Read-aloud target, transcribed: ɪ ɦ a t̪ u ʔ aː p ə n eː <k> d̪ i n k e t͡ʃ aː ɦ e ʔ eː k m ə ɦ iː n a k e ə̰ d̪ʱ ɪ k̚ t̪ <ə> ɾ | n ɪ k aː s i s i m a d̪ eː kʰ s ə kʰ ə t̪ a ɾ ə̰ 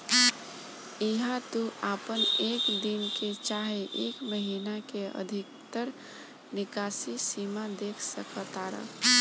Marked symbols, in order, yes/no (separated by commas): yes, yes